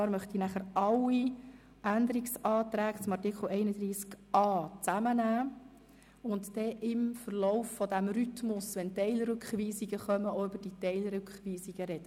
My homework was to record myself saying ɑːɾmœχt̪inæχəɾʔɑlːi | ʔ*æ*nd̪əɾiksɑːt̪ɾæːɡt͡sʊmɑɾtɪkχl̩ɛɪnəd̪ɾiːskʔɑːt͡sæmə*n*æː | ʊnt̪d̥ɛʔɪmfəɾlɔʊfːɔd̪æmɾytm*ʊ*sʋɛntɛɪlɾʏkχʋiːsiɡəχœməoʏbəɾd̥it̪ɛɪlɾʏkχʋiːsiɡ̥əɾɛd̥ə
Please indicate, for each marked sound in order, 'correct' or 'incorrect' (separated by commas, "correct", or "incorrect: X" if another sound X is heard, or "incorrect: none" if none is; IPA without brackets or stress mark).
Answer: correct, correct, correct